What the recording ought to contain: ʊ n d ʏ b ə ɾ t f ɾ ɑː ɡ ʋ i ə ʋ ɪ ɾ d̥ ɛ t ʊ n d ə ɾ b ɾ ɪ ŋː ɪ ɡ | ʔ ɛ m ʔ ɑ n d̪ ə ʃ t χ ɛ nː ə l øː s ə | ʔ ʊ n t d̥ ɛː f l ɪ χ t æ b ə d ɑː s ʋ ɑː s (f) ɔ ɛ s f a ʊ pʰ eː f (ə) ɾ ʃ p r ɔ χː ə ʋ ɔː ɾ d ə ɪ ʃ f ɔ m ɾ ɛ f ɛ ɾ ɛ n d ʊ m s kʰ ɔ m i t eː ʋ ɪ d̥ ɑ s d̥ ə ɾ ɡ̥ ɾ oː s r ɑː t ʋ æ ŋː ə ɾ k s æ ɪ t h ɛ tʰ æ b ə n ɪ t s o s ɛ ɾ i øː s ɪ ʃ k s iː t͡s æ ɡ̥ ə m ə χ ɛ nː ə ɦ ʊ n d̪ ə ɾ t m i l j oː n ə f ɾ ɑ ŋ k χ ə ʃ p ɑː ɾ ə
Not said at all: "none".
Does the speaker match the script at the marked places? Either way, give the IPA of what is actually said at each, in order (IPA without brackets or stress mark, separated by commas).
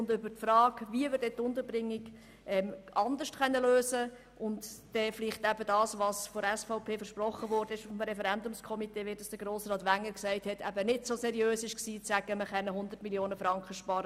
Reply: f, ə